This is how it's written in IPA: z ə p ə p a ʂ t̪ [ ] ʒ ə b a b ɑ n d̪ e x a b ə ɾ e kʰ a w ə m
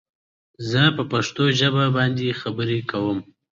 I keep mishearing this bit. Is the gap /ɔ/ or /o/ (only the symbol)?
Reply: o